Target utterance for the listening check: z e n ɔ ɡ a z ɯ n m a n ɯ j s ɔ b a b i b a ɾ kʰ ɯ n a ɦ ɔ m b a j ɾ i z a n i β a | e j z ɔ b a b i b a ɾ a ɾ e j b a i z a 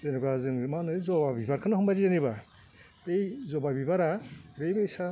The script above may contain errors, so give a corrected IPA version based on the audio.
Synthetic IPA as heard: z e n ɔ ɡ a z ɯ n m a n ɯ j z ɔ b a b i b a ɾ kʰ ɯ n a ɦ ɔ m b a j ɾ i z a n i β a | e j z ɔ b a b i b a ɾ a ɾ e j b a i s a